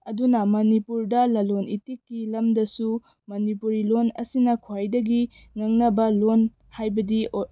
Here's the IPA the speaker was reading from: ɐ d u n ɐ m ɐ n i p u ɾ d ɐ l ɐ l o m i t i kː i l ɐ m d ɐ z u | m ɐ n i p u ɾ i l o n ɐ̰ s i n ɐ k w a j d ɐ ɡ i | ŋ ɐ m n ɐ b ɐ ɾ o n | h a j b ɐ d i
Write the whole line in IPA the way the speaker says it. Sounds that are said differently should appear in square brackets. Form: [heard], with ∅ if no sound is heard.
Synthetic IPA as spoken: ɐ d u n ɐ m ɐ n i p u ɾ d ɐ l ɐ l o [n] i t i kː i l ɐ m d ɐ [s] u | m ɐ n i p u ɾ i l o n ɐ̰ s i n ɐ [kʰ] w a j d ɐ ɡ i | ŋ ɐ [ŋ] n ɐ b ɐ [l] o n | h a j b ɐ d i